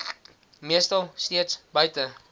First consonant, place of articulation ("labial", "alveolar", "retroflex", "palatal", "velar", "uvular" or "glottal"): labial